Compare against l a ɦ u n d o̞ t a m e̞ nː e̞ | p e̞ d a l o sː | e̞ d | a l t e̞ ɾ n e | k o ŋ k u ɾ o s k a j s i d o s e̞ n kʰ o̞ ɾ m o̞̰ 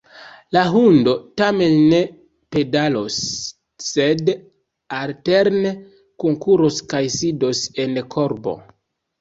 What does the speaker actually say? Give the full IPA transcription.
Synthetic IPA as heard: l a ɦ u n d o̞ t a m e̞ nː e̞ | p e̞ d a l o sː | e̞ d | a l t e̞ ɾ n e | k o ŋ k u ɾ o s k a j s i d o s e̞ n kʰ o̞ ɾ b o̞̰

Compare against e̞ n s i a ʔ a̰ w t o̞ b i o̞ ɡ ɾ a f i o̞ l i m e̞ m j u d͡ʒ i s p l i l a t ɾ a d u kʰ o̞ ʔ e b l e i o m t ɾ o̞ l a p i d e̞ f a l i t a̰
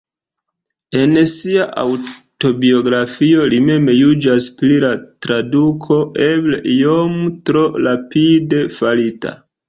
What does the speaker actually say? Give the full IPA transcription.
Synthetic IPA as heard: e̞ n s i a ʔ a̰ w t o̞ b i o̞ ɡ ɾ a f i o̞ l i m e̞ m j u d͡ʒ a s p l i l a t ɾ a d u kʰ o̞ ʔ e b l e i o m t ɾ o̞ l a p i d e̞ f a l i t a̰

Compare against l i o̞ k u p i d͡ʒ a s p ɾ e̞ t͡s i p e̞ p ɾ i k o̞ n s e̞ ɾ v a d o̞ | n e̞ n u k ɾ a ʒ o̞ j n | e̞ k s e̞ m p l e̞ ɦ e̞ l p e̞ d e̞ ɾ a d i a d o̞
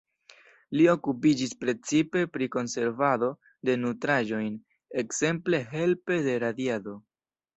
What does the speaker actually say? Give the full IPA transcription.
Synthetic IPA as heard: l i o̞ k u p i d͡ʒ i s p ɾ e̞ t͡s i p e̞ p ɾ i k o̞ n s e̞ ɾ v a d o̞ | d e̞ n u t ɾ a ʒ o̞ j n | e̞ k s e̞ m p l e̞ ɦ e̞ l p e̞ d e̞ ɾ a d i a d o̞

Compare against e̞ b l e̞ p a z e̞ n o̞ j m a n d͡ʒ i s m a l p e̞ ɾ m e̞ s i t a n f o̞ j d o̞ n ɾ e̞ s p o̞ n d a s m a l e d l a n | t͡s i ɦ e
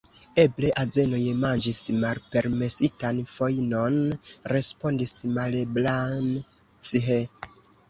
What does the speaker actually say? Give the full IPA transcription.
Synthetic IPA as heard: e̞ b l e̞ ʔ a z e̞ n o̞ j m a n d͡ʒ i s m a l p e̞ ɾ m e̞ s i t a n f o̞ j n o̞ n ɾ e̞ s p o̞ n d i s m a l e b l a n | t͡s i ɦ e

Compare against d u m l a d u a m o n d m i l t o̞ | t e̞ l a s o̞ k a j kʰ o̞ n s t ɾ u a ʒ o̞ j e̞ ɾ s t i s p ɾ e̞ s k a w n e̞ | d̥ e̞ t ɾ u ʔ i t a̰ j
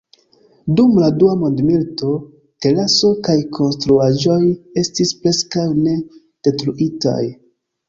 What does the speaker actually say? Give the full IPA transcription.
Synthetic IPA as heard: d u m l a d u a m o n d m i l t o̞ | t e̞ l a s o̞ k a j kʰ o̞ n s t ɾ u a ʒ o̞ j e̞ s t i s p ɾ e̞ s k a w n e̞ | d̥ e̞ t ɾ u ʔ i t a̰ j

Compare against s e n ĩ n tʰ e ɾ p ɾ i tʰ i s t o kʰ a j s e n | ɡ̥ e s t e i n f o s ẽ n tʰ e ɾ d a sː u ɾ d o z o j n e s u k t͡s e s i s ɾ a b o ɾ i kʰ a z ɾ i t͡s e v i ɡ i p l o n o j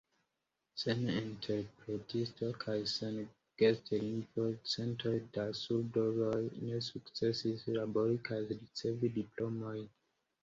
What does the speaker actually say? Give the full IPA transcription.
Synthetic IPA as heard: s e n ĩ n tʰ e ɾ p ɾ e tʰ i s t o kʰ a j s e n | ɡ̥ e s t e i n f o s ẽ n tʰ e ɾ d a s u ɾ d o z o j n e s u k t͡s e s i s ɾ a b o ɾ i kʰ a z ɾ i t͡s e v i d i p l o m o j

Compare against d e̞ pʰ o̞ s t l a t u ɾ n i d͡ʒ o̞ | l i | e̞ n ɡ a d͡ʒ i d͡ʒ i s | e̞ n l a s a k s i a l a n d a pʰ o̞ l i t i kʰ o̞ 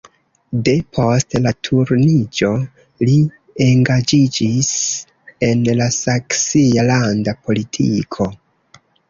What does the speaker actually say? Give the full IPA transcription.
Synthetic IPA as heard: d e̞ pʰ o̞ s t l a tʰ u ɾ n i d͡ʒ o̞ | l i | e̞ ŋ ɡ a d͡ʒ i d͡ʒ i s | e̞ n l a s a k s i a l a n d a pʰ o̞ l i tʰ i kʰ o̞

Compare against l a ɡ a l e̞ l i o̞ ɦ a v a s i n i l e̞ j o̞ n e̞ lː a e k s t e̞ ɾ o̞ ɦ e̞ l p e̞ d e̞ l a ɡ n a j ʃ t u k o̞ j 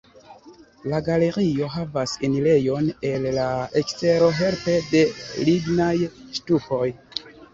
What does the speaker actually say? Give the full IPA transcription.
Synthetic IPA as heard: l a ɡ a l e̞ ɾ i o̞ ɦ a v a s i n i l e̞ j o̞ n e̞ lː a e k s t e̞ ɾ o̞ ɦ e̞ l p e̞ d e̞ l i ɡ n a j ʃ t u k o̞ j

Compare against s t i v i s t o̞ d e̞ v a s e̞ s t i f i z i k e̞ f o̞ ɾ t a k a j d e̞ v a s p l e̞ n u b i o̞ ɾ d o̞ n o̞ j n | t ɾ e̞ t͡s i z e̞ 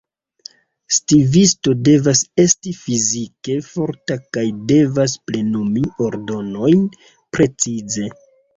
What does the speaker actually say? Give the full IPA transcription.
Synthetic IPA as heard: s t i v i s t o̞ d e̞ v a s e̞ s t i f i z i k e̞ f o̞ ɾ t a k a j d e̞ v a s p l e̞ n u m i o̞ ɾ d o̞ n o̞ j n | p ɾ e̞ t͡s i z e̞

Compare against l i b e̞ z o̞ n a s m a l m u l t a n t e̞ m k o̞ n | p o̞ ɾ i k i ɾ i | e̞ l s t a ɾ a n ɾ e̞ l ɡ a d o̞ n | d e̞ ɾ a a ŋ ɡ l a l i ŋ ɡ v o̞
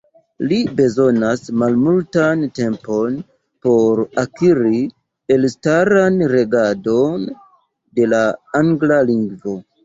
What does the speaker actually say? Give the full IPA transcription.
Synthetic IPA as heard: l i b e̞ z o̞ n a s m a l m u l t a n t e̞ m p o̞ n | p o̞ ɾ a k i ɾ i | e̞ l s t a ɾ a n ɾ e̞ ɡ a d o̞ n | d e̞ l a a ŋ ɡ l a l i ŋ ɡ v o̞

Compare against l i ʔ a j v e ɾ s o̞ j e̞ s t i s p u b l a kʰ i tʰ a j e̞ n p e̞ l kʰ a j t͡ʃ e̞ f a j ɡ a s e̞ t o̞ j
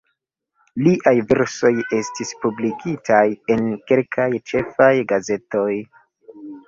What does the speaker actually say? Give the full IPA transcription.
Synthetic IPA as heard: l i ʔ a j v e ɾ s o̞ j e̞ s t i s p u b l i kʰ i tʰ a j e̞ n k e̞ l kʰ a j t͡ʃ e̞ f a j ɡ a z e̞ t o̞ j

